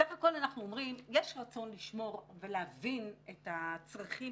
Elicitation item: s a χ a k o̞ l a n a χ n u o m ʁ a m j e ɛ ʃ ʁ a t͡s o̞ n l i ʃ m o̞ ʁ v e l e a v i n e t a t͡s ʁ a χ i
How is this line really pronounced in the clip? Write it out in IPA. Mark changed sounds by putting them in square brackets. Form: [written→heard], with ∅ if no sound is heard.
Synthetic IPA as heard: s a χ a k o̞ l a n a χ n u o m ʁ [a→i] m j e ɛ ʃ ʁ a t͡s o̞ n l i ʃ m o̞ ʁ v e l e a v i n e t a t͡s ʁ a χ i

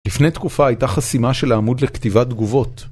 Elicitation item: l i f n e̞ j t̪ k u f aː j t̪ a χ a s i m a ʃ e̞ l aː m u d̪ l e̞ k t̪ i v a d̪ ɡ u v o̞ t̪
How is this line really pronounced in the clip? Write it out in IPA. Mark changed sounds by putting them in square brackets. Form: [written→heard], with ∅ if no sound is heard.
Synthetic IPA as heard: l i f n e̞ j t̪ k u f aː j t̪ a χ a s i m a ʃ e̞ l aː m u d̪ l e̞ k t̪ i v a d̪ ɡ u v o̞ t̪

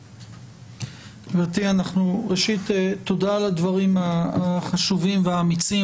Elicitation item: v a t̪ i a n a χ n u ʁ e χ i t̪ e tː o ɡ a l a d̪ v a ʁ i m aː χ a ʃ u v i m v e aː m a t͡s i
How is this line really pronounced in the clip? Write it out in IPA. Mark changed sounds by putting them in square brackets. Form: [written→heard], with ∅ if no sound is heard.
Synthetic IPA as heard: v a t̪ i a n a χ n u ʁ e [χ→ʃ] i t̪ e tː o [ɡ→d] a l a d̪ v a ʁ i m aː χ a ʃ u v i m v e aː m [a→i] t͡s i

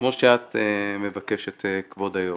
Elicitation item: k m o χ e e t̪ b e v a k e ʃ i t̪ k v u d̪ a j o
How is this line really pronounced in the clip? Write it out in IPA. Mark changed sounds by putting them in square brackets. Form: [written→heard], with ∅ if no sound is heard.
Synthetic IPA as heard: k m o [χ→ʃ] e [e→a] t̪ [b→m] e v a k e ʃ [i→e] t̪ k v [u→o] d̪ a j o

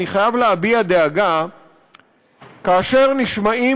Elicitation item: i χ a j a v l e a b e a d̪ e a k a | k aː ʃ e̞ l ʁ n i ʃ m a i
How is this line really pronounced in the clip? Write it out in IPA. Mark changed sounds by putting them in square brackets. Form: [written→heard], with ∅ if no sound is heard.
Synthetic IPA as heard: i χ a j a v l e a b [e→i] a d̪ e a [k→ɡ] a | k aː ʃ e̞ [l→∅] ʁ n i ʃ m a i

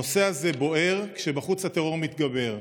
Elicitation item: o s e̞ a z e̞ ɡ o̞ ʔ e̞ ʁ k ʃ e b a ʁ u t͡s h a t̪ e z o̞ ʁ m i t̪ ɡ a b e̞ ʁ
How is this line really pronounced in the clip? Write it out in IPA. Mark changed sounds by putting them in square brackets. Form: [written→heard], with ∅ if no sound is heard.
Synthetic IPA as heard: o s e̞ a z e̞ [ɡ→b] o̞ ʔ e̞ ʁ k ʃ e b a [ʁ→χ] u t͡s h a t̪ e [z→ʁ] o̞ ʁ m i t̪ ɡ a b e̞ ʁ

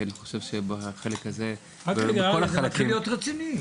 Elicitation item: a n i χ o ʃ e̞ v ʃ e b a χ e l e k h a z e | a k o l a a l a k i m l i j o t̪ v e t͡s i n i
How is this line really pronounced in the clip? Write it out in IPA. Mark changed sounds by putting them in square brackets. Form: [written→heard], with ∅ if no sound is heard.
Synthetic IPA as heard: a n i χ o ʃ e̞ v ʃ e b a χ e l e k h a z e | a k o l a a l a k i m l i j o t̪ [v→ʁ] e t͡s i n i

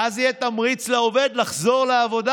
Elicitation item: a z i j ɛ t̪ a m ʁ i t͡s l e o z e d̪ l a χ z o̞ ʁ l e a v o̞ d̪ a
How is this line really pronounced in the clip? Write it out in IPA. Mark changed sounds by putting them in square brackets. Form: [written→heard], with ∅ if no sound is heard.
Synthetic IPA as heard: a z i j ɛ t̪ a m ʁ i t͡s l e o [z→v] e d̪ l a χ z o̞ ʁ l e a v o̞ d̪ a

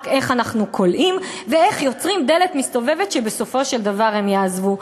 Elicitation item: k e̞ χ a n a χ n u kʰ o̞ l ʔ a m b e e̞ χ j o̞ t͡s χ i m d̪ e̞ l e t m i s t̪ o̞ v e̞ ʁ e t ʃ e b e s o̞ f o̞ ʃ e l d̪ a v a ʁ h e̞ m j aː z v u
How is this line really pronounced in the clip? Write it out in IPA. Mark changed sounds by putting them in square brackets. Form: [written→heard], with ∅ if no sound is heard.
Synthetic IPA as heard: k e̞ χ a n a χ n u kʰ o̞ l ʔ [a→i] m [b→v] e e̞ χ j o̞ t͡s [χ→ʁ] i m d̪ e̞ l e t m i s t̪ o̞ v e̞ [ʁ→v] e t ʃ e b e s o̞ f o̞ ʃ e l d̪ a v a ʁ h e̞ m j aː z v u

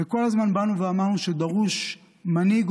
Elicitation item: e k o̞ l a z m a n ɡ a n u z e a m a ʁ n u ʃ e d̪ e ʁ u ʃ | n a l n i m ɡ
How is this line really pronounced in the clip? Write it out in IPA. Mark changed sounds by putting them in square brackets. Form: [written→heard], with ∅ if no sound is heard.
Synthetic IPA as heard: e k o̞ l a z m a n [ɡ→b] a n u [z→v] e a m a ʁ n u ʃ e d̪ [e→a] ʁ u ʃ | [n→m] a [l→∅] n i [m→∅] ɡ

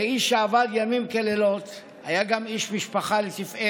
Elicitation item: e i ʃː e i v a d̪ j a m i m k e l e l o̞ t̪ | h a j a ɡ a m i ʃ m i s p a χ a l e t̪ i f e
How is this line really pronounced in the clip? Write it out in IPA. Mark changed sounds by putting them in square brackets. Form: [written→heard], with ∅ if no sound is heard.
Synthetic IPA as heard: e i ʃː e [i→a] v a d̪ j a m i m k e l e l o̞ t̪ | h a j a ɡ a m i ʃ m i [s→ʃ] p a χ a l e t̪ i f e

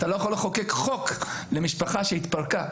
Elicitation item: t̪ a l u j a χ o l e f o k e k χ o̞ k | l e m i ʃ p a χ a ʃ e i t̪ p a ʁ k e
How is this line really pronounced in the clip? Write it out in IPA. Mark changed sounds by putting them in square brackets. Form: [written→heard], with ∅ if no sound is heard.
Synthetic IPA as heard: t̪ a l [u→o] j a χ o l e [f→χ] o k e k χ o̞ k | l e m i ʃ p a χ a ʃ e i t̪ p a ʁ k [e→a]

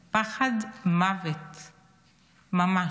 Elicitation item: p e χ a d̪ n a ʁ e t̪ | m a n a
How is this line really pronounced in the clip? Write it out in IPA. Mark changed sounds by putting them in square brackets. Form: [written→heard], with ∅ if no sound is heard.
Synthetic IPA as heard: p [e→a] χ a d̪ [n→m] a [ʁ→v] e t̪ | m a [n→m] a

